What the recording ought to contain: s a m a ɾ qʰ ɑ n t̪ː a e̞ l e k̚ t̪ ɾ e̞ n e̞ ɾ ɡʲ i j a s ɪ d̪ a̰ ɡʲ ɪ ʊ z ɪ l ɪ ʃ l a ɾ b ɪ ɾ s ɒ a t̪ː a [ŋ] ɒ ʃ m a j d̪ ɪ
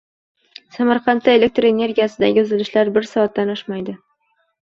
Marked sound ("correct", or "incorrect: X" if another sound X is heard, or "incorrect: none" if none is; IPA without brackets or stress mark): incorrect: n